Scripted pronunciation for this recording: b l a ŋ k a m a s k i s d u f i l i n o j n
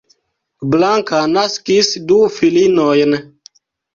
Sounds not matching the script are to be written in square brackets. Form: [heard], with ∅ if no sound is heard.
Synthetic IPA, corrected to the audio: b l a ŋ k a [n] a s k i s d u f i l i n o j n